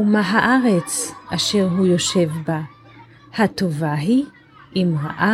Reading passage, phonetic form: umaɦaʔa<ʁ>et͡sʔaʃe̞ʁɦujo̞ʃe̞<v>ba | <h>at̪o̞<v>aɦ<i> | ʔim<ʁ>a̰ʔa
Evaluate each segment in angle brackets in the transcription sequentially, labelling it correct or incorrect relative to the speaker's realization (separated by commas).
correct, correct, correct, correct, correct, correct